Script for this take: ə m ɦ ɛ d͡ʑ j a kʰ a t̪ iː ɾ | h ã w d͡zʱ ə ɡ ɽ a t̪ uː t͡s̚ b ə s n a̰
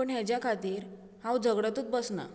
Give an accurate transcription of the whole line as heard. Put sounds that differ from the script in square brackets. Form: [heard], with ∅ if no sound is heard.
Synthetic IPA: ə [ɳ] ɦ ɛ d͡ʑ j a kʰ a t̪ iː ɾ | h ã w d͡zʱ ə ɡ ɽ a t̪ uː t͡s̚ b ə s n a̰